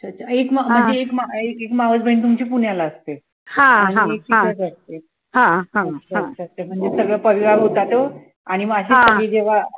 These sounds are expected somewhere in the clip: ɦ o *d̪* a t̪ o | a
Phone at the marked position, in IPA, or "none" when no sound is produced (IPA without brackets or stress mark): t̪